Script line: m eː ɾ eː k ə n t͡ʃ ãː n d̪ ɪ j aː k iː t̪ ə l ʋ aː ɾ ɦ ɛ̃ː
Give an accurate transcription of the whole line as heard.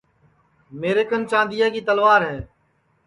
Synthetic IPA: m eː ɾ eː k ə n t͡ʃ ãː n d̪ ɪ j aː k iː t̪ ə l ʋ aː ɾ ɦ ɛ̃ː